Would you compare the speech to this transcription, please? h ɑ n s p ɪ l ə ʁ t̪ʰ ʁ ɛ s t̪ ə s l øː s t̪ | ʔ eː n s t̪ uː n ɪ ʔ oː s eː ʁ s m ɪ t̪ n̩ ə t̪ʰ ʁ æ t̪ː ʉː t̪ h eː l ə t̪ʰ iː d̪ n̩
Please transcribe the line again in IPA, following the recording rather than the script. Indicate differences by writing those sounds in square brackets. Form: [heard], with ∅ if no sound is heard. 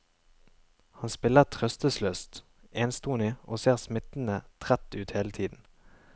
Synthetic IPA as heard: h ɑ n s p ɪ l ə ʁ t̪ʰ ʁ [œ] s t̪ ə s l øː s t̪ | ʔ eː n s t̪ uː n ɪ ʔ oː s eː ʁ s m ɪ t̪ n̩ ə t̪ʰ ʁ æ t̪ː ʉː t̪ h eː l ə t̪ʰ iː d̪ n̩